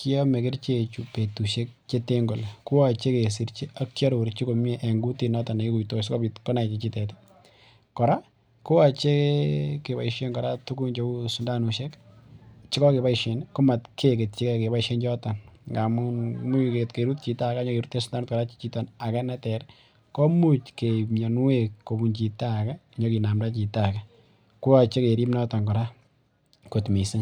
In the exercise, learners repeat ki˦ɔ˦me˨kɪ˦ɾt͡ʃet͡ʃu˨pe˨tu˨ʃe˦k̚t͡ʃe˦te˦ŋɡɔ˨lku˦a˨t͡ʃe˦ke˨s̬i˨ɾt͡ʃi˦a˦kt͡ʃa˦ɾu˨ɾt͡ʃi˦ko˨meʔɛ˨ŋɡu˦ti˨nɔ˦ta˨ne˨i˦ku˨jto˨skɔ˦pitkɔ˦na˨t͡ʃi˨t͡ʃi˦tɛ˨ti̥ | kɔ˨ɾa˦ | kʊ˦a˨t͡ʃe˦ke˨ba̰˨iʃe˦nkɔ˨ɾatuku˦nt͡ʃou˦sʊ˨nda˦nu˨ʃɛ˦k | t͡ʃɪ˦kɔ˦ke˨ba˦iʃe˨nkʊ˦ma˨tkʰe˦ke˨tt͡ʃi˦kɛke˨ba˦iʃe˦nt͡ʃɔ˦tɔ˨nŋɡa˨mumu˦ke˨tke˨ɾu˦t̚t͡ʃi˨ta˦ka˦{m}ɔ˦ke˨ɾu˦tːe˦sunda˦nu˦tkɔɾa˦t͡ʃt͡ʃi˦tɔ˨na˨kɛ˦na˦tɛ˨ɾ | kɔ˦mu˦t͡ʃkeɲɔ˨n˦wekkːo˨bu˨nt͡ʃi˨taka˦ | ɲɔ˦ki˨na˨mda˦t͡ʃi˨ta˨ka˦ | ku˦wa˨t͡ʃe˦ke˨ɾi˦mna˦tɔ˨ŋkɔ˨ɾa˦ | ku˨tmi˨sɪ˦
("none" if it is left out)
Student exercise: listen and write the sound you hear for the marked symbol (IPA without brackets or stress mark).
ɲ